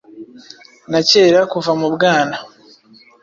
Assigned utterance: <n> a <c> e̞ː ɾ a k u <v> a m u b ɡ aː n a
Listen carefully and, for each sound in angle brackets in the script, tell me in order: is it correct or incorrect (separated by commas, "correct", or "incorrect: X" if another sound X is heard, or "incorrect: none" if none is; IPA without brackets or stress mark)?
correct, correct, correct